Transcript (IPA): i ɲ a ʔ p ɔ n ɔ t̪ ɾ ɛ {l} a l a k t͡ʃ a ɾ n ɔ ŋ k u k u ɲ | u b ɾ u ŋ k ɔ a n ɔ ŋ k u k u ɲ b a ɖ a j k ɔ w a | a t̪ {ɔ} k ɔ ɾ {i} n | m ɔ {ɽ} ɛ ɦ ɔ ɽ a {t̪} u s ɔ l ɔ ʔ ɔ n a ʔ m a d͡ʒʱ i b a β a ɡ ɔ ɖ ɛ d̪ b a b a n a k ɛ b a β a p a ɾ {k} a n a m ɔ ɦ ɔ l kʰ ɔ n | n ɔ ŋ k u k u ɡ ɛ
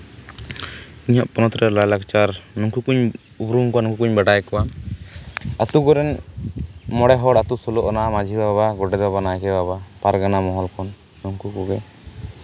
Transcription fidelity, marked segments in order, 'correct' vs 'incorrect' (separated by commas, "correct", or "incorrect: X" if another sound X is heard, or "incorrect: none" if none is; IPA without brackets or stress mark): correct, incorrect: u, incorrect: ɛ, correct, correct, incorrect: ɡ